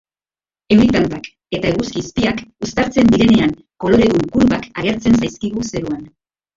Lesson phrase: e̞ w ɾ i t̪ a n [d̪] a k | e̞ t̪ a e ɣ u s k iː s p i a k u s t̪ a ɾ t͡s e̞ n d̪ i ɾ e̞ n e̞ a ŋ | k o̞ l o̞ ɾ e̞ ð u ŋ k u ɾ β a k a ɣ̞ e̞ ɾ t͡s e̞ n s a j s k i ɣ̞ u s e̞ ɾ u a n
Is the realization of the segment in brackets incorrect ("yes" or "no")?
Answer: yes